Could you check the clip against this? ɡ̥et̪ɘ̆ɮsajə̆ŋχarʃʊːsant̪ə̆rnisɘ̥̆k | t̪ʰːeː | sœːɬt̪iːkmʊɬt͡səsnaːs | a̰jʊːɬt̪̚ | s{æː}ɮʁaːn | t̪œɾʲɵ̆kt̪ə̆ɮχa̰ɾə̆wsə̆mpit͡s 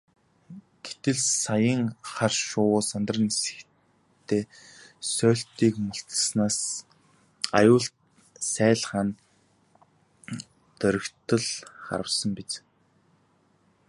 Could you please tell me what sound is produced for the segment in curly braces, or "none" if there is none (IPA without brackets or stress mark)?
æː